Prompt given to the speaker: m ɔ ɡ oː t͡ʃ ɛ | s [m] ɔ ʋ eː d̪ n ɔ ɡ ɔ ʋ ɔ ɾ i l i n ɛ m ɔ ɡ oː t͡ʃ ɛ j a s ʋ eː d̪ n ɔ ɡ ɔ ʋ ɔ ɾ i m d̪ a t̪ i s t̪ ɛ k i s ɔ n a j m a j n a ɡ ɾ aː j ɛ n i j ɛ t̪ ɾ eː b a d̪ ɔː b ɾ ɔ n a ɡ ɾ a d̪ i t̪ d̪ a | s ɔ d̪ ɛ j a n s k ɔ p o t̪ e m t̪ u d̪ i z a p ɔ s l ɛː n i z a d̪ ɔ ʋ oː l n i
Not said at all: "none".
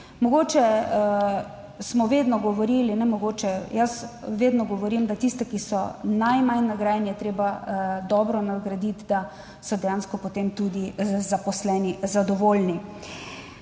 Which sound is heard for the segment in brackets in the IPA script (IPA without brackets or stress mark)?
m